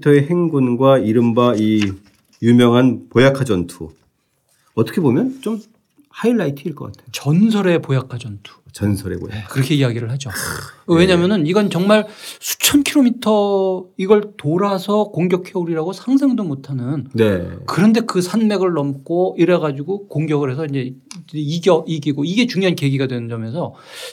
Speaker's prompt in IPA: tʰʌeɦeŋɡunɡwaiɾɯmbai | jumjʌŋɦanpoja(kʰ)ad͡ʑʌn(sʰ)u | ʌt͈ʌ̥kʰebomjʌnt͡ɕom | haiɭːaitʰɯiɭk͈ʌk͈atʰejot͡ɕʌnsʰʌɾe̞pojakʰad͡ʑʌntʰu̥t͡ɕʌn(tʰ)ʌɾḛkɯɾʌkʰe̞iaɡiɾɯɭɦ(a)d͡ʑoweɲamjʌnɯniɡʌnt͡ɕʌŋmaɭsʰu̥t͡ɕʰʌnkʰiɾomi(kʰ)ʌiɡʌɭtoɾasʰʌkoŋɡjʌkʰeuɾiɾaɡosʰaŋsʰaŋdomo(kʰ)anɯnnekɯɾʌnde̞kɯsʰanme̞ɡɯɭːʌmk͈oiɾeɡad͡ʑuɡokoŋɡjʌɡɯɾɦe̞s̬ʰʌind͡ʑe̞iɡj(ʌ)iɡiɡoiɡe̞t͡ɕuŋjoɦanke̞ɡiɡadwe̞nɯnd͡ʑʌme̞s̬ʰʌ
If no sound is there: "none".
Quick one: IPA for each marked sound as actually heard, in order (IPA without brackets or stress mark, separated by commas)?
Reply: kʰ, tʰ, sʰ, a, tʰ, tʰ, ʌ